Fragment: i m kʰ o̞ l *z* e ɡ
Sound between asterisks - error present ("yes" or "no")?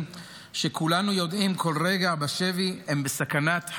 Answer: yes